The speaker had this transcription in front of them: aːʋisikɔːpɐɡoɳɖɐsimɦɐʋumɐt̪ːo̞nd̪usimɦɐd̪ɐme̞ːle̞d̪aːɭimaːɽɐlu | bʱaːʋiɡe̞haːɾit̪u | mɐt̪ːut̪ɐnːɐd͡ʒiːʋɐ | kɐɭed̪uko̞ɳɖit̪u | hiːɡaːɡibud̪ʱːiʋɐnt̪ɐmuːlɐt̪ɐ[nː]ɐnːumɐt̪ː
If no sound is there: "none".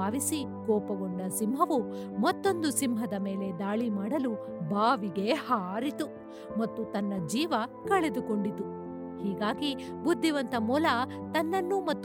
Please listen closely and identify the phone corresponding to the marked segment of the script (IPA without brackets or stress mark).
nː